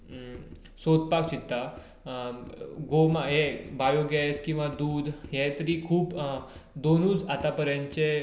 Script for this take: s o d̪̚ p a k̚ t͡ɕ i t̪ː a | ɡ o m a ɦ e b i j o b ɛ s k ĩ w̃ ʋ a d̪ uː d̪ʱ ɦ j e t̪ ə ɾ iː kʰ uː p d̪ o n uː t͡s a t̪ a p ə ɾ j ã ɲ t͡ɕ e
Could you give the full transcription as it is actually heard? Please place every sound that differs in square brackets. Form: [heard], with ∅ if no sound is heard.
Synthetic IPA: s o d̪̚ p a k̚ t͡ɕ i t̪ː a | ɡ o m a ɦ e b [a] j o [ɡ] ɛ s k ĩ w̃ ʋ a d̪ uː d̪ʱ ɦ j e t̪ ə ɾ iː kʰ uː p d̪ o n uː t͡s a t̪ a p ə ɾ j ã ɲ t͡ɕ e

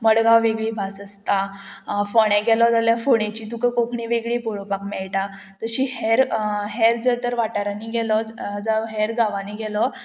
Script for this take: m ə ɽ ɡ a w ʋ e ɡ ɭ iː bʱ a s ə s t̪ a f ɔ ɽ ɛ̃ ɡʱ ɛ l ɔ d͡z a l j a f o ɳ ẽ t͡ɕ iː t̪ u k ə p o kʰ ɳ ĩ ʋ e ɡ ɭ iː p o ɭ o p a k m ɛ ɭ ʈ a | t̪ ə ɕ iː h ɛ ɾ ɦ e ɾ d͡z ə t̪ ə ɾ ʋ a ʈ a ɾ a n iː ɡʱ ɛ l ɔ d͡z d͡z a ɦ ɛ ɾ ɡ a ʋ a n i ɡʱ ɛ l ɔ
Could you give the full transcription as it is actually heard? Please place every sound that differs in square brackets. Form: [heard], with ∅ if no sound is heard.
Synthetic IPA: m ə ɽ ɡ a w ʋ e ɡ ɭ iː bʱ a s ə s t̪ a f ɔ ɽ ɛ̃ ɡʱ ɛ l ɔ d͡z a l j a f o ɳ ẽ t͡ɕ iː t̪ u k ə [k] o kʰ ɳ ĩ ʋ e ɡ ɭ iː p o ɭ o p a k m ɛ ɭ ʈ a | t̪ ə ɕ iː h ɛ ɾ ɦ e ɾ d͡z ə t̪ ə ɾ ʋ a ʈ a ɾ a n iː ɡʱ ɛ l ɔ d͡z d͡z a ɦ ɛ ɾ ɡ a ʋ a n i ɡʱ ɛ l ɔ

